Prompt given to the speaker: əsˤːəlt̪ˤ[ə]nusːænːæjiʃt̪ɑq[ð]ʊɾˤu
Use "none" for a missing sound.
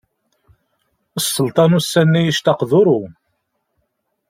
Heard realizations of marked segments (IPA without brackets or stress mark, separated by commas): ɑ, ð